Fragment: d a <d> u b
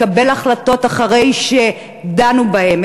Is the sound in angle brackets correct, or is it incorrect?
incorrect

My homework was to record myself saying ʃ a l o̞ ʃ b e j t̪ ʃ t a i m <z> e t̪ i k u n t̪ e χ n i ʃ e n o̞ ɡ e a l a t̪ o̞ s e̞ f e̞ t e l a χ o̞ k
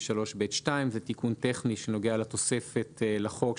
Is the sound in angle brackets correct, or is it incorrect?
correct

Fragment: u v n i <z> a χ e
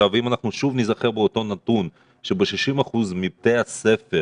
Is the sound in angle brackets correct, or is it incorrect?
correct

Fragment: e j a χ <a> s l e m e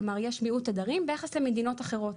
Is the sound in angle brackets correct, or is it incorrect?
incorrect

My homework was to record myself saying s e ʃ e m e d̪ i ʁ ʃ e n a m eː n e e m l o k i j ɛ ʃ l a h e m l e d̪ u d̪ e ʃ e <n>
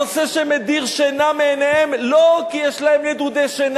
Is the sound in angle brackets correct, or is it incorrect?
correct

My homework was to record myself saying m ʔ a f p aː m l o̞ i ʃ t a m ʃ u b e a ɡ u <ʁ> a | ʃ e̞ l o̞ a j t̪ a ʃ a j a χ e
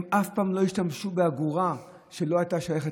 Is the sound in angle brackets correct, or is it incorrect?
correct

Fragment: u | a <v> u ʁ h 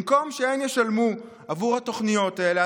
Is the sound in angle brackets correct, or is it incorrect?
correct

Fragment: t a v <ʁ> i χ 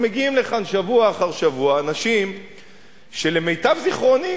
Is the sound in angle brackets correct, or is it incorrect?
incorrect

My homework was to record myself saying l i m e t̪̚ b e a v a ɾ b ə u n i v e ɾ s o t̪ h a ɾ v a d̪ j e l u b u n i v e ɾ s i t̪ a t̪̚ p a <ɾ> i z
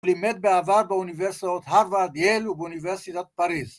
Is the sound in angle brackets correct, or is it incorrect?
correct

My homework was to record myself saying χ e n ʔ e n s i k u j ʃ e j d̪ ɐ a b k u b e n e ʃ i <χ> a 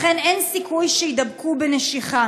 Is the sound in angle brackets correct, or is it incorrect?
correct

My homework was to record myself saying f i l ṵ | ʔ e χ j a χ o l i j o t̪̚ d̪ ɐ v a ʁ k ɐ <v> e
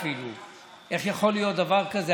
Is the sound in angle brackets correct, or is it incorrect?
incorrect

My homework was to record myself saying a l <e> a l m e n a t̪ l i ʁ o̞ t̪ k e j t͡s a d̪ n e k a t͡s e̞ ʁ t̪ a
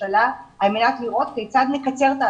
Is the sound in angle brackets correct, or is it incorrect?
incorrect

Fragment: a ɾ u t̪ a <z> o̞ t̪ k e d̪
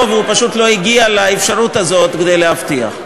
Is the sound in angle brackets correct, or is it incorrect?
correct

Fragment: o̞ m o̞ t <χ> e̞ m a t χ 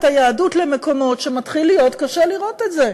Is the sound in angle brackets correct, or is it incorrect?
incorrect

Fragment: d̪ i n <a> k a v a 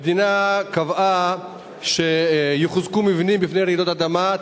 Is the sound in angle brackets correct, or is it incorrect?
correct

